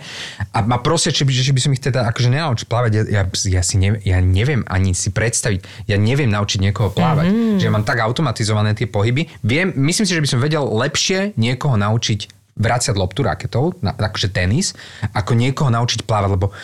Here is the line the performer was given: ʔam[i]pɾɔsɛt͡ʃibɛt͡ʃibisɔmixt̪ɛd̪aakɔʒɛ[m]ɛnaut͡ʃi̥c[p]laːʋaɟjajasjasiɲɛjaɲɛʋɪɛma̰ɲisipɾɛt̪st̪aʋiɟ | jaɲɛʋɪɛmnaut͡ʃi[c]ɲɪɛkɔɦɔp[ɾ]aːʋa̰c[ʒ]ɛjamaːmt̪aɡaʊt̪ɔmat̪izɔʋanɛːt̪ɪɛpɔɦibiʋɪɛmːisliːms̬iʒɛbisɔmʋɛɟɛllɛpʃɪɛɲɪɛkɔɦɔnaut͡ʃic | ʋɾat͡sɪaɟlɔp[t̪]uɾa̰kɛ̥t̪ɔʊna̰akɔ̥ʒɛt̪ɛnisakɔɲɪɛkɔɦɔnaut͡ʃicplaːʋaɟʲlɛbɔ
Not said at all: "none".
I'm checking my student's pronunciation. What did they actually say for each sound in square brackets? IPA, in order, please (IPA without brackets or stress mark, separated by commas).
a, ɲ, p, ɟ, l, ʒ, t̪